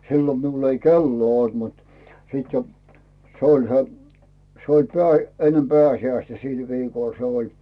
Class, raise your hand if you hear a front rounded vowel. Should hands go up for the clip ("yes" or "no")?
no